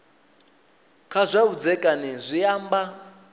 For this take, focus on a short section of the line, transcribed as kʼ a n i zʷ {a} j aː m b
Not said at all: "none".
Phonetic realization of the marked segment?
i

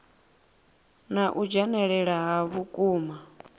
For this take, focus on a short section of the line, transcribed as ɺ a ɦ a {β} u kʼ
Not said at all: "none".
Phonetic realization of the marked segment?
β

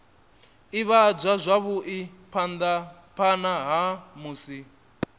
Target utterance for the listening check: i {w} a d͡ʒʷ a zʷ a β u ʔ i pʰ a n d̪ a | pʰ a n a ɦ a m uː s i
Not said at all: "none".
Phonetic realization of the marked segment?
β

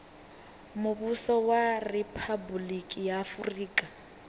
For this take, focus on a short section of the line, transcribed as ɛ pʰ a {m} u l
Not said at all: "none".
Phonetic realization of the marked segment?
b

